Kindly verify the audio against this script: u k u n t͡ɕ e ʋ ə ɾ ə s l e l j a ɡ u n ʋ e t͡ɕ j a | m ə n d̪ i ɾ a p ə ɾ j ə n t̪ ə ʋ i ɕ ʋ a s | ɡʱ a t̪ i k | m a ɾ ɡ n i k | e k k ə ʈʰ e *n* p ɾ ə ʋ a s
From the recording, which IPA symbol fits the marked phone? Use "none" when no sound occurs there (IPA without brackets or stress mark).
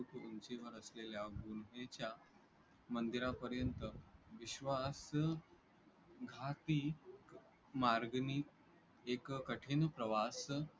n